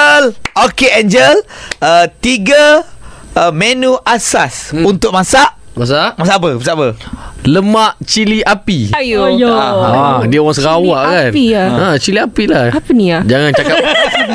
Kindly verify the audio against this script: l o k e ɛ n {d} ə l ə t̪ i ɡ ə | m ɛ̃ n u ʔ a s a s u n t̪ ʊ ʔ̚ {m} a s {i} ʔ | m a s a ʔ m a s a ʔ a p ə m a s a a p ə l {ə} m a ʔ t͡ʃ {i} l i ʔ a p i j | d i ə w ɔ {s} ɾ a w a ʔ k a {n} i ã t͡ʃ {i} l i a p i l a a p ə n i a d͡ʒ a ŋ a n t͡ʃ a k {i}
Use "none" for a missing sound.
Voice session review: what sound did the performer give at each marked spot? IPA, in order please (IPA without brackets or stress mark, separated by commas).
d͡ʒ, m, a, ə, i, s, n, i, a